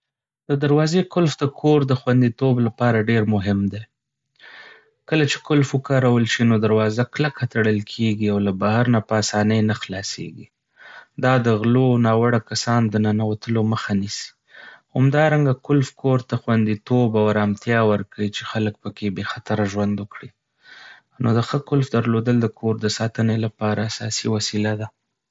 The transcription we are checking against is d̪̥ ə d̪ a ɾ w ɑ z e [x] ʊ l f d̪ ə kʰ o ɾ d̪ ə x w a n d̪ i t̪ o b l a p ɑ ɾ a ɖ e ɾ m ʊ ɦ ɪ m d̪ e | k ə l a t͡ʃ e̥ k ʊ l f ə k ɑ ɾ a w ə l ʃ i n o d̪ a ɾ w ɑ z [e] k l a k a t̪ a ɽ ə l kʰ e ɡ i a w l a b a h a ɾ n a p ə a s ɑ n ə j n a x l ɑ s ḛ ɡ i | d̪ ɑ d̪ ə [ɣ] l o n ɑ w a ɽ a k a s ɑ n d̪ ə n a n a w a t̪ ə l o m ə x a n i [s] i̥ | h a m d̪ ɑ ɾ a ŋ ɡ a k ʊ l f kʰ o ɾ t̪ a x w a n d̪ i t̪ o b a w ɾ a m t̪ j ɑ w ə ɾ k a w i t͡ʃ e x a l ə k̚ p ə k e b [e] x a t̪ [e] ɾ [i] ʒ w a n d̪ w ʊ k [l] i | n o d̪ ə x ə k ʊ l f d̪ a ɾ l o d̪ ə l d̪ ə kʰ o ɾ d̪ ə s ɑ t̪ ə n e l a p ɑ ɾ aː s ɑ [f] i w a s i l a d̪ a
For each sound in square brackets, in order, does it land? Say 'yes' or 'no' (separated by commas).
no, no, yes, yes, yes, no, no, no, no